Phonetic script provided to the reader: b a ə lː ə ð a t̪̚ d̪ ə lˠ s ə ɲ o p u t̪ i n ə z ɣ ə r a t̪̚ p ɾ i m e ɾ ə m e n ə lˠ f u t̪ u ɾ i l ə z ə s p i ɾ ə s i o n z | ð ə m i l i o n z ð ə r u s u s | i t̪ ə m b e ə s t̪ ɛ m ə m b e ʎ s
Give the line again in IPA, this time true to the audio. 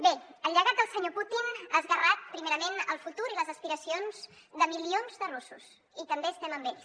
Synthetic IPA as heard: b e ə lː ə ɣ a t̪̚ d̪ ə lˠ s ə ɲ o p u t̪ i n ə z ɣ ə r a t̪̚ p ɾ i m e ɾ ə m e n ə lˠ f u t̪ u ɾ i l ə z ə s p i ɾ ə s i o n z | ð ə m i l i o n z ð ə r u s u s | i t̪ ə m b e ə s t̪ ɛ m ə m b e ʎ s